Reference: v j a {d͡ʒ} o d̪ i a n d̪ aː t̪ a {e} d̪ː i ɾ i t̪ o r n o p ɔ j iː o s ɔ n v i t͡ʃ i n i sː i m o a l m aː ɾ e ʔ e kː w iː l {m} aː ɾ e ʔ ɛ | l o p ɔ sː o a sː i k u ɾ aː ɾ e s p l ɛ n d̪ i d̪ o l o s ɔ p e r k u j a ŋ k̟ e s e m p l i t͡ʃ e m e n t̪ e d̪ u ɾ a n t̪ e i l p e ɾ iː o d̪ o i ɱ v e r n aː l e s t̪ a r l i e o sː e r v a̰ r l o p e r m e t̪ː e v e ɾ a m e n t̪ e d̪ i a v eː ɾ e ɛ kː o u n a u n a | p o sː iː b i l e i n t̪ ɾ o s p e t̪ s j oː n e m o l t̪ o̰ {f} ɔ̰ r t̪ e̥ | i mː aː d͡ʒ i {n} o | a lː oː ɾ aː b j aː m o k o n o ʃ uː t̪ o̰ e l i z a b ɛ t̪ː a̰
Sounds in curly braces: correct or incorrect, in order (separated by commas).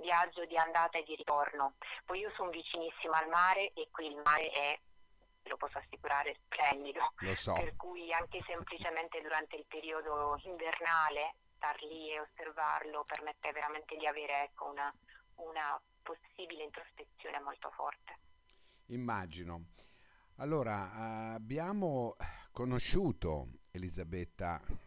incorrect, correct, correct, correct, correct